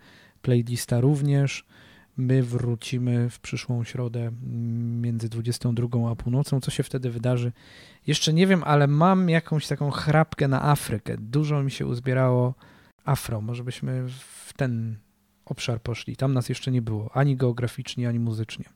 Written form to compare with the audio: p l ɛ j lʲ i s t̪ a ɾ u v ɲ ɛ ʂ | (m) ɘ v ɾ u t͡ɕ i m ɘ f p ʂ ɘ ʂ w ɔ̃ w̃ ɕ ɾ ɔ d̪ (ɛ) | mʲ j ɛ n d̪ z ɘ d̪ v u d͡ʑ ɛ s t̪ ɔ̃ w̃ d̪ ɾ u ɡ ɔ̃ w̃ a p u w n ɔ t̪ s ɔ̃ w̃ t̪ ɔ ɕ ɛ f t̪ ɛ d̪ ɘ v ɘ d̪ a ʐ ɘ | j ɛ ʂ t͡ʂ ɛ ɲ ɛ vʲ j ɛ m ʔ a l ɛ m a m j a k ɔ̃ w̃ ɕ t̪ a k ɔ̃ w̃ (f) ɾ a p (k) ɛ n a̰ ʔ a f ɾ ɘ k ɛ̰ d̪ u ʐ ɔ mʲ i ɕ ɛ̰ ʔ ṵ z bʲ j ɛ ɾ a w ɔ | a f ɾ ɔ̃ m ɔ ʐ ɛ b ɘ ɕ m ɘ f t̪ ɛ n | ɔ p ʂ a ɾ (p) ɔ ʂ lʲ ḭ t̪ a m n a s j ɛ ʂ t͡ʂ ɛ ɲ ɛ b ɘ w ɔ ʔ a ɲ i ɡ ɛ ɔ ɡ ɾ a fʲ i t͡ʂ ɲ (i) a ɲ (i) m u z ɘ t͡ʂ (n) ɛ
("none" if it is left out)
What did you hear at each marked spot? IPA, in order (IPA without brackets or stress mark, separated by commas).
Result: m, ɛ, x, k, p, ɛ, i, ɲ